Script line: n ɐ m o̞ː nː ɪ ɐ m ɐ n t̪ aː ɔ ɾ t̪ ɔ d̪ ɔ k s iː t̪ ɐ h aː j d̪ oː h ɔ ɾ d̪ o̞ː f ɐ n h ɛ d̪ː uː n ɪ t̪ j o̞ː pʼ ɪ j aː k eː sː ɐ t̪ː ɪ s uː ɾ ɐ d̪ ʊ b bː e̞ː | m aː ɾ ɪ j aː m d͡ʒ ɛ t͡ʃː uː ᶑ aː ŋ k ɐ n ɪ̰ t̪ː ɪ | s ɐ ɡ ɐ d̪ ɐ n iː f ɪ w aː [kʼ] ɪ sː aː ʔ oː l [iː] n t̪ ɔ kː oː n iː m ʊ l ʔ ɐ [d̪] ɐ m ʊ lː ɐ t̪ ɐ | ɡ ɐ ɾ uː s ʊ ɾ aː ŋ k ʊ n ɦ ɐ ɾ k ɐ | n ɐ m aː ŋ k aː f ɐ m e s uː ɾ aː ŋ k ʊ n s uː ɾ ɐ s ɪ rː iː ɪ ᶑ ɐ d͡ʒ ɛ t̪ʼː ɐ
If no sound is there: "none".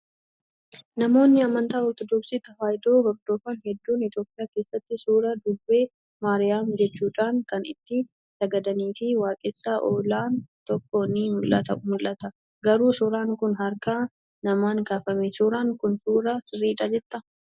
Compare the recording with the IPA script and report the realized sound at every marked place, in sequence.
kʼ, aː, t̪

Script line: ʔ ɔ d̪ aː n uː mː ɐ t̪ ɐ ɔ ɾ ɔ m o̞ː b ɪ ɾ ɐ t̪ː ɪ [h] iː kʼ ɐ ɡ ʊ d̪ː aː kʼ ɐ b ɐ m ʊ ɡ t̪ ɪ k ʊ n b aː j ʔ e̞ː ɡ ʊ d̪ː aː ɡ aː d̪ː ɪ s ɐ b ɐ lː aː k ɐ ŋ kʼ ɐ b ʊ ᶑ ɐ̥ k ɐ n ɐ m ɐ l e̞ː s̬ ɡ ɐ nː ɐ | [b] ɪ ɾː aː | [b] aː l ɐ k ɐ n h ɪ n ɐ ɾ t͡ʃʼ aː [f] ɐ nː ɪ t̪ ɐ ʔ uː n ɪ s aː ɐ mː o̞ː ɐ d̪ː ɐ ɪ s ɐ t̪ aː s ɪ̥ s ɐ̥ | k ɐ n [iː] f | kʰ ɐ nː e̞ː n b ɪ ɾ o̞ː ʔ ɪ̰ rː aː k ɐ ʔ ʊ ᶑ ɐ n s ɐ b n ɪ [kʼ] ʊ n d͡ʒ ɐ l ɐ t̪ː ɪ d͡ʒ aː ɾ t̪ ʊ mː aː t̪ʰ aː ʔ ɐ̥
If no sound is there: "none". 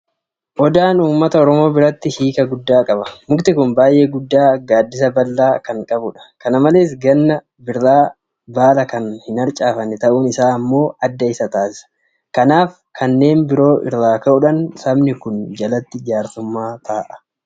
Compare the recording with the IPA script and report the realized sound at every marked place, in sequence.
h, b, b, f, aː, k

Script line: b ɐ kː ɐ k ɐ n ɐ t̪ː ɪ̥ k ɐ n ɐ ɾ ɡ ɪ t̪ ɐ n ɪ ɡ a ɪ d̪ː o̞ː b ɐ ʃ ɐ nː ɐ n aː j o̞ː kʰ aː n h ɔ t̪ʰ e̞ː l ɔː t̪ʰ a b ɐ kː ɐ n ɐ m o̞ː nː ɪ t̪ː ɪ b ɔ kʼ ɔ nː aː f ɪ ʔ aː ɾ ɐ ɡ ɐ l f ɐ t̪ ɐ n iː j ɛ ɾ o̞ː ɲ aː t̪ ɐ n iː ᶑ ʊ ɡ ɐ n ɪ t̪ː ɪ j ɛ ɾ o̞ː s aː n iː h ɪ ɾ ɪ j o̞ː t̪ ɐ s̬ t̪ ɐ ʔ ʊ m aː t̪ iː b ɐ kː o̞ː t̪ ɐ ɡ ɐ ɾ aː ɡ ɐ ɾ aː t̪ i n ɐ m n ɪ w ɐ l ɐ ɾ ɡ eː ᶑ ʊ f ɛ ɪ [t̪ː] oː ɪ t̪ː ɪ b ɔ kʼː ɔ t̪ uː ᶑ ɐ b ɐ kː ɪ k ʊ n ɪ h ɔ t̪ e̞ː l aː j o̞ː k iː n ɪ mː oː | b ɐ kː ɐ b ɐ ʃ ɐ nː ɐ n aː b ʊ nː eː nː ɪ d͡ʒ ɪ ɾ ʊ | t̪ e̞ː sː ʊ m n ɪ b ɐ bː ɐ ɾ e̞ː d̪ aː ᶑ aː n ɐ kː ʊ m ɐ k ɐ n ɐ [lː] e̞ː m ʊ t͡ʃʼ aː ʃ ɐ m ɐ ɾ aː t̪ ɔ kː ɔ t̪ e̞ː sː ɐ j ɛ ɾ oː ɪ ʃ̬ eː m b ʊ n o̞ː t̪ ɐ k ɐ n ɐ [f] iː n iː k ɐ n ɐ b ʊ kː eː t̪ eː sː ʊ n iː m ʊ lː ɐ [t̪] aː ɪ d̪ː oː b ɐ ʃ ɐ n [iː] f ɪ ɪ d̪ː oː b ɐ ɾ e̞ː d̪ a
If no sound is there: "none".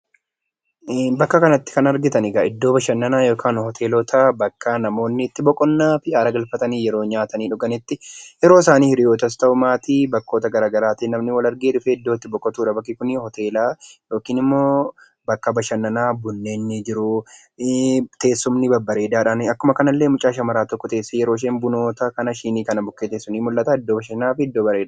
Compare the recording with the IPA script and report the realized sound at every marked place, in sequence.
d̪ː, lː, ʃ, t̪, aː

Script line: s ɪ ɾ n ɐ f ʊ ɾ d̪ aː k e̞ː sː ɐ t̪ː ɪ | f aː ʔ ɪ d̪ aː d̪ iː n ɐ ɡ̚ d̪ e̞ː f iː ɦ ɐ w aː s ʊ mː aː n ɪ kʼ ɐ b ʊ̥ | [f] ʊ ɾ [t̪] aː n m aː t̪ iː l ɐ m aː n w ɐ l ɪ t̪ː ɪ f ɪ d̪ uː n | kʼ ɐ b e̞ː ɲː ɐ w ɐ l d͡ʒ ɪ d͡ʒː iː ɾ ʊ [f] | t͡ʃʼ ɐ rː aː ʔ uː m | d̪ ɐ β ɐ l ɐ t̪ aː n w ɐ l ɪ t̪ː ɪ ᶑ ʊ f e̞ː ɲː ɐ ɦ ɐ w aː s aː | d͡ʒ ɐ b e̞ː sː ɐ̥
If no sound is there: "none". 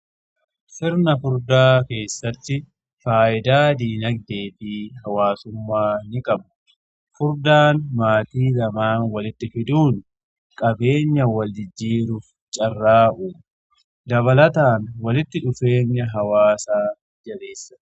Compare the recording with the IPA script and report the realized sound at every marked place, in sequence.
f, d̪, f

